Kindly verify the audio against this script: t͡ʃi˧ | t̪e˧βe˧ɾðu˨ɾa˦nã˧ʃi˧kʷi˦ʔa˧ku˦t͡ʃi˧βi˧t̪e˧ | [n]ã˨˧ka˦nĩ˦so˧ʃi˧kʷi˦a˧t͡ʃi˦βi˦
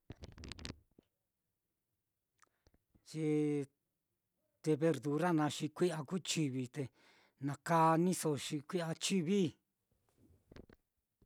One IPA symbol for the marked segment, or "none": n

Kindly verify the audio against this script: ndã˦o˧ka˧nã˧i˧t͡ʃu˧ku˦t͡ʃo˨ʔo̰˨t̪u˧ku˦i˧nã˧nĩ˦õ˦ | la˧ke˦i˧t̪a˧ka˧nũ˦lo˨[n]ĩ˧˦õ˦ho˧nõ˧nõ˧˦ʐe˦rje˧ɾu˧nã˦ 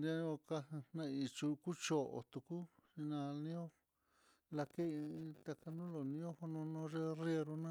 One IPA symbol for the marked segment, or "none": n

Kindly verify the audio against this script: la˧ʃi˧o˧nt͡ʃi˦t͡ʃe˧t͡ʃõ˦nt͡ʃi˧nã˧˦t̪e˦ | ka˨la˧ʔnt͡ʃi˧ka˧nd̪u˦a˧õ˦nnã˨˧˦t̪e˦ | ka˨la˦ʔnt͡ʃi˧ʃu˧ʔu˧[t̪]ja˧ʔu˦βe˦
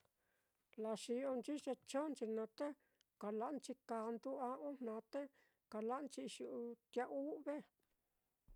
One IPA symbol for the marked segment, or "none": t̪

